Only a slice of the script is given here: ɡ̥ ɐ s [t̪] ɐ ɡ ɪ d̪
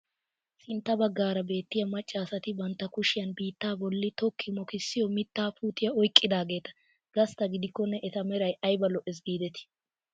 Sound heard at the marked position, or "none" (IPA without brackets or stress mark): t̪